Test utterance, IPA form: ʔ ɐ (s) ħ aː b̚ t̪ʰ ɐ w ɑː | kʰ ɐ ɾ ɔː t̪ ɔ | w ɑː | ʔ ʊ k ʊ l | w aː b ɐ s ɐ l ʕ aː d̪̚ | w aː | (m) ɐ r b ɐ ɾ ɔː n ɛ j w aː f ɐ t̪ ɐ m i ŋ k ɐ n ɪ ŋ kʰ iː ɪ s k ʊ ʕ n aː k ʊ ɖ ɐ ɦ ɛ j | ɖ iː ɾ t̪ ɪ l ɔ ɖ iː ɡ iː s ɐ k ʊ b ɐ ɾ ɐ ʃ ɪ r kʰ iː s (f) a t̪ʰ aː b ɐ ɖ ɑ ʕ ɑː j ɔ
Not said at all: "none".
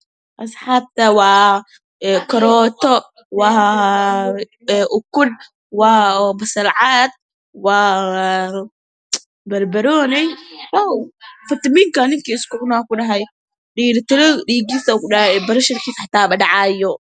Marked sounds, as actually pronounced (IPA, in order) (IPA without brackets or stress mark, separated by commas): s, b, ħ